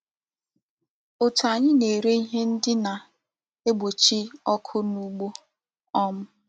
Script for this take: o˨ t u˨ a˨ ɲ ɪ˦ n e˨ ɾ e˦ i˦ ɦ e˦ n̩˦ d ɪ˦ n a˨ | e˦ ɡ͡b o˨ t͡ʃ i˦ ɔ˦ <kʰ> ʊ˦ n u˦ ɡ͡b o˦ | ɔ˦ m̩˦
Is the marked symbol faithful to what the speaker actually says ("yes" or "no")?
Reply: yes